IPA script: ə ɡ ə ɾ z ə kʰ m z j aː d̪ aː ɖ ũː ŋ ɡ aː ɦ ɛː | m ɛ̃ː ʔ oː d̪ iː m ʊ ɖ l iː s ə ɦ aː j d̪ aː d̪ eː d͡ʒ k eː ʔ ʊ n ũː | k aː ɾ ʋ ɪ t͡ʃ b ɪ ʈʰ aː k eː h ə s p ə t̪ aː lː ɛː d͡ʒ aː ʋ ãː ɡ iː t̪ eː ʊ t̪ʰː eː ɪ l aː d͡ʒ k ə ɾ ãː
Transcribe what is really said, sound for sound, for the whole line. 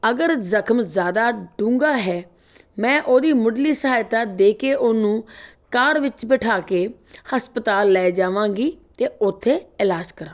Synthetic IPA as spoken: ə ɡ ə ɾ z ə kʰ m z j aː d̪ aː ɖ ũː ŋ ɡ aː ɦ ɛː | m ɛ̃ː ʔ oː d̪ iː m ʊ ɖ l iː s ə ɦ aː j t̪ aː d̪ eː k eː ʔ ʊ n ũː | k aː ɾ ʋ ɪ t͡ʃ b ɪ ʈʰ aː k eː h ə s p ə t̪ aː lː ɛː d͡ʒ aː ʋ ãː ɡ iː t̪ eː ʊ t̪ʰː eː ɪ l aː d͡ʒ k ə ɾ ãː

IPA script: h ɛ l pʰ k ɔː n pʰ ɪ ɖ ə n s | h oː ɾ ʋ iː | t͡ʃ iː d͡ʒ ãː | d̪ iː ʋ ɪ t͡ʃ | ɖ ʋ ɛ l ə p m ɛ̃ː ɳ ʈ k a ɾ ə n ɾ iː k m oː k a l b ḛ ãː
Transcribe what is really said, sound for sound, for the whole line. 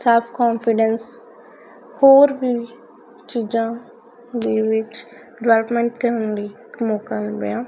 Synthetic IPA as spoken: s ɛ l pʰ k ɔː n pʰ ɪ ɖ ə n s | h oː ɾ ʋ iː | t͡ʃ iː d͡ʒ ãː | d̪ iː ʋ ɪ t͡ʃ | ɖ ʋ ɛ l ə p m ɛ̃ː ɳ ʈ k ə ɾ ə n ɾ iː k m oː k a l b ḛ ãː

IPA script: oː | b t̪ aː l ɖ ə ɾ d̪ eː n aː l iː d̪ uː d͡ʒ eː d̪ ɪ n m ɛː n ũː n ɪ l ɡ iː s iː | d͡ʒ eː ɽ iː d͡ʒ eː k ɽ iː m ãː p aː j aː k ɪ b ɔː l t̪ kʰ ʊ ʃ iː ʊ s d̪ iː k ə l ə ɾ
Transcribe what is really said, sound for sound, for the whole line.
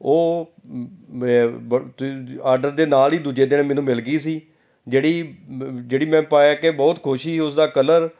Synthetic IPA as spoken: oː | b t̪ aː ɾ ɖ ə ɾ d̪ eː n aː l iː d̪ uː d͡ʒ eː d̪ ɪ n m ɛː n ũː m ɪ l ɡ iː s iː | d͡ʒ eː ɽ iː d͡ʒ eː ɽ iː m ɛ̃ː p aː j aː k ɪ b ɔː t̪ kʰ ʊ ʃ iː ʊ s d̪ aː k ə l ə ɾ

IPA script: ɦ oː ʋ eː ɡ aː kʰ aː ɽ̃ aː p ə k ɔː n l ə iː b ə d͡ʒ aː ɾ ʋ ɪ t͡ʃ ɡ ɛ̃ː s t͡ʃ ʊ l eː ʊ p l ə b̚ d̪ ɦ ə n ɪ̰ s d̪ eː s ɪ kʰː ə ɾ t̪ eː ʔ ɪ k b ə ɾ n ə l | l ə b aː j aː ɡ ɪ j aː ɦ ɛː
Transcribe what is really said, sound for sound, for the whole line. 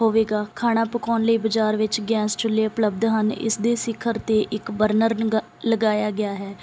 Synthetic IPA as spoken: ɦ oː ʋ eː ɡ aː kʰ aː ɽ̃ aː p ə k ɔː n l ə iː b ə d͡ʒ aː ɾ ʋ ɪ t͡ʃ ɡ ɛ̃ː s t͡ʃ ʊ l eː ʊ p l ə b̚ d̪ ɦ ə n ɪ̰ s d̪ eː s ɪ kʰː ə ɾ t̪ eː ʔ ɪ k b ə ɾ n ə ɾ | l ə ɡ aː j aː ɡ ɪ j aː ɦ ɛː

